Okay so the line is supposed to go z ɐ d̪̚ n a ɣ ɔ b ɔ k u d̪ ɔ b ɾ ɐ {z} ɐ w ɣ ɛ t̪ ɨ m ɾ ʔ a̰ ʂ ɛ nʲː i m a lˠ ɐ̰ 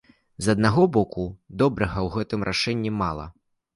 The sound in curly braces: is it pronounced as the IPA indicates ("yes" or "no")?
no